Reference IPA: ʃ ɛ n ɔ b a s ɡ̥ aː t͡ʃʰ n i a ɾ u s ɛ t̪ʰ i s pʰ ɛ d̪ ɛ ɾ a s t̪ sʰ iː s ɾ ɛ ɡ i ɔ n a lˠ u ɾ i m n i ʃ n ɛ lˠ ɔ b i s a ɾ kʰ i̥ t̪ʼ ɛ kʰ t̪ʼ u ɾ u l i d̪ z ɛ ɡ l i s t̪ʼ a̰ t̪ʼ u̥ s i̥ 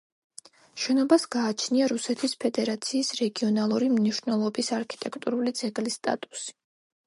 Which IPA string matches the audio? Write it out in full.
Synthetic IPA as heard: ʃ ɛ n ɔ b a s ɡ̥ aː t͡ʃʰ n i a ɾ u s ɛ t̪ʰ i s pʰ ɛ d̪ ɛ ɾ a t̪ sʰ iː s ɾ ɛ ɡ i ɔ n a lˠ u ɾ i m n i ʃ n ɛ lˠ ɔ b i s a ɾ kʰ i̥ t̪ʼ ɛ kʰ t̪ʼ u ɾ u l i d̪ z ɛ ɡ l i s t̪ʼ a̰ t̪ʼ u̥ s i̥

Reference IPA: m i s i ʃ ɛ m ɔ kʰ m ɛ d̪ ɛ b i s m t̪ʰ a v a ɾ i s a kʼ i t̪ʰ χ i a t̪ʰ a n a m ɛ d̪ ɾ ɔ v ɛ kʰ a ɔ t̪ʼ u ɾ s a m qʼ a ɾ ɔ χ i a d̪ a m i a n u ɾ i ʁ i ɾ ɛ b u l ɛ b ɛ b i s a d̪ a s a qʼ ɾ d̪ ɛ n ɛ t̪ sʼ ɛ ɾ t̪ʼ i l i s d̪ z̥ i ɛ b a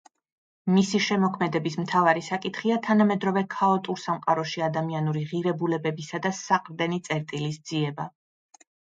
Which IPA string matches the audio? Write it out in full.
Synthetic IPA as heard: m i s i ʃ ɛ m ɔ kʰ m ɛ d̪ ɛ b i s m t̪ʰ a v a ɾ i s a kʼ i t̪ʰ χ i a t̪ʰ a n a m ɛ d̪ ɾ ɔ v ɛ kʰ a ɔ t̪ʼ u ɾ s a m qʼ a ɾ ɔ ʃ i a d̪ a m i a n u ɾ i ʁ i ɾ ɛ b u l ɛ b ɛ b i s a d̪ a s a qʼ ɾ d̪ ɛ n i t̪ sʼ ɛ ɾ t̪ʼ i l i s d̪ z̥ i ɛ b a

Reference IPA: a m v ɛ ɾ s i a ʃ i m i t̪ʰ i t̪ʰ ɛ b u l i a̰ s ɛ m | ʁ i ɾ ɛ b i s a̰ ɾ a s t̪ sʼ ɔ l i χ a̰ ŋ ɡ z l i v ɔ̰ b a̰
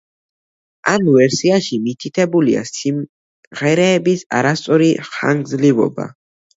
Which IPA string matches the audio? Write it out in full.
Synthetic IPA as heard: a m v ɛ ɾ s i a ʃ i m i t̪ʰ i t̪ʰ ɛ b u l i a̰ s i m | ʁ ɛ ɾ ɛː b i s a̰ ɾ a s t̪ sʼ ɔ ɾ i χ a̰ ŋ ɡ z l i v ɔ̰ b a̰

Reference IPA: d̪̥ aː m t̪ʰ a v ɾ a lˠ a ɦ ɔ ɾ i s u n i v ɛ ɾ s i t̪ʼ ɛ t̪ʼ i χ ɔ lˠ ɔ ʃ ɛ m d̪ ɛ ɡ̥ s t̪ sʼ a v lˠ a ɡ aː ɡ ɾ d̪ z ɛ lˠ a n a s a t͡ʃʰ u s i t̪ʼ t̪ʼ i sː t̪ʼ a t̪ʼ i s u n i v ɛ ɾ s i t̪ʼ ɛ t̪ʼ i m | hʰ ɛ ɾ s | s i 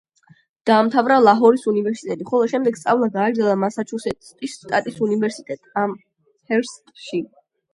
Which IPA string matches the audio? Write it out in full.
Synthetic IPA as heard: d̪̥ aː m t̪ʰ a v ɾ a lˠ a ɦ ɔ ɾ i s u n i v ɛ ɾ s i t̪ʼ ɛ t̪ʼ i χ ɔ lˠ ɔ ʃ ɛ m d̪ ɛ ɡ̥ s t̪ sʼ a v lˠ a ɡ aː ɡ ɾ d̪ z ɛ lˠ a m a s a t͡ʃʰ u s ɛ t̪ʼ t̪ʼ i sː t̪ʼ a t̪ʼ i s u n i v ɛ ɾ s i t̪ʼ ɛ t̪ʼ a m | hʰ ɛ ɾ s | ʃ i

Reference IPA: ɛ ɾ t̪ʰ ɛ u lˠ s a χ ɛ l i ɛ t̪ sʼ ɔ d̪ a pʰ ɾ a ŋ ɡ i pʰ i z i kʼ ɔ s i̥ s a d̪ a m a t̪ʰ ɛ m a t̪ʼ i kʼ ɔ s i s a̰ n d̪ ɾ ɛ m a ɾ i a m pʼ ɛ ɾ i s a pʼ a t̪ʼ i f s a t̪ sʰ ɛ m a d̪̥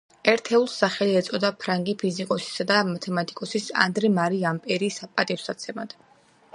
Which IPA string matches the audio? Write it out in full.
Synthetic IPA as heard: ɛ ɾ t̪ʰ ɛ u lˠ s a χ ɛ l i ɛ t̪ sʼ ɔ d̪ a pʰ ɾ a ŋ ɡ i pʰ i z i kʼ ɔ s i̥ s a d̪ a m a t̪ʰ ɛ m a t̪ʼ i kʼ ɔ s i s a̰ n d̪ ɾ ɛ m a ɾ i a m pʼ ɛ ɾ i s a pʼ a t̪ʼ i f s a t̪ sʰ ɛ m a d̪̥

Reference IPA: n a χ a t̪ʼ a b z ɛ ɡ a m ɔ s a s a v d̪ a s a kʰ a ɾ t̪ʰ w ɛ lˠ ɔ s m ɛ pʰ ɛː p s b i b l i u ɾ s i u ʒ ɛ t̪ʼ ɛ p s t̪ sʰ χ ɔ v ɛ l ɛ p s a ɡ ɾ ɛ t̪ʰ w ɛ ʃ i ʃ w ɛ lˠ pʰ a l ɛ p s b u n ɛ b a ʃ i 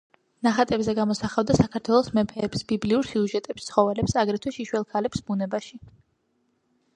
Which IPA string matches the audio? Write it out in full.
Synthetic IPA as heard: n a χ a t̪ʼ ɛ b z ɛ ɡ a m ɔ s a χ a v d̪ a s a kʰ a ɾ t̪ʰ w ɛ lˠ ɔ s m ɛ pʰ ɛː p s b i b l i u ɾ s i u ʒ ɛ t̪ʼ ɛ p s t̪ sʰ χ ɔ v ɛ l ɛ p s a ɡ ɾ ɛ t̪ʰ w ɛ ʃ i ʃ w ɛ lˠ kʰ a l ɛ p s b u n ɛ b a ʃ i

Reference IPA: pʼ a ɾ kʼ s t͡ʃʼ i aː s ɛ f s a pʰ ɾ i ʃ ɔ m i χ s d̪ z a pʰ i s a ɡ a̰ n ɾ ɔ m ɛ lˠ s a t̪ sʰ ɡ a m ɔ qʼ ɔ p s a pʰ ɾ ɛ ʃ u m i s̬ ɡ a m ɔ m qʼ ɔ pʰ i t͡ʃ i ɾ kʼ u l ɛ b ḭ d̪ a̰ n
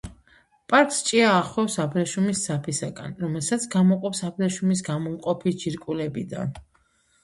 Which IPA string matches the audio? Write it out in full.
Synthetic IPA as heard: pʼ a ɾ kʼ s t͡ʃʼ i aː χ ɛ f s a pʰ ɾ ɛ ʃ u m i s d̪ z a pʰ i s a ɡ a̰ n ɾ ɔ m ɛ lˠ s a t̪ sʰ ɡ a m ɔ qʼ ɔ p s a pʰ ɾ ɛ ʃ u m i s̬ ɡ a m ɔ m qʼ ɔ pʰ i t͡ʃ i ɾ kʼ u l ɛ b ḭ d̪ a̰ n

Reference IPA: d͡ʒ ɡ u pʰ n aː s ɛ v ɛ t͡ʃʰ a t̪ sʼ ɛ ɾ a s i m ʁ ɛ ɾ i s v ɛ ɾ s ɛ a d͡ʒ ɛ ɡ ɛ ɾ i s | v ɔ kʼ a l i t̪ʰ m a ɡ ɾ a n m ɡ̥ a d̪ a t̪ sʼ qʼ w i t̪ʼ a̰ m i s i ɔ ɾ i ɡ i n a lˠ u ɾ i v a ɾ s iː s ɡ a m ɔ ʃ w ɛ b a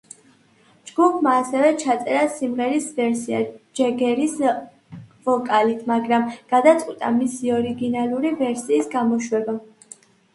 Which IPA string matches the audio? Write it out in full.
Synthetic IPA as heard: d͡ʒ ɡ u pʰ m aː s ɛ v ɛ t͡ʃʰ a t̪ sʼ ɛ ɾ a s i m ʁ ɛ ɾ i s v ɛ ɾ s i a d͡ʒ ɛ ɡ ɛ ɾ i s | v ɔ kʼ a l i t̪ʰ m a ɡ ɾ a m ɡ̥ a d̪ a t̪ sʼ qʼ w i t̪ʼ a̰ m i s i ɔ ɾ i ɡ i n a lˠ u ɾ i v ɛ ɾ s iː s ɡ a m ɔ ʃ w ɛ b a

